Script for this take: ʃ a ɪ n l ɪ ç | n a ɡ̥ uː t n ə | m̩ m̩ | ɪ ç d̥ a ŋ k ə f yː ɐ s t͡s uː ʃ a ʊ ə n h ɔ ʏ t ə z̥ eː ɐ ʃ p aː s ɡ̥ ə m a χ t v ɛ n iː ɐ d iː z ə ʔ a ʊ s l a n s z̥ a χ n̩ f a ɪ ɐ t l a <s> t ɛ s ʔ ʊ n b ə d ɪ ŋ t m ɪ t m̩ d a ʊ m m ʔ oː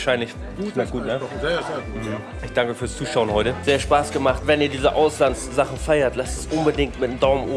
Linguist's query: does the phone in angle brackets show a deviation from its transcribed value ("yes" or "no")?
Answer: no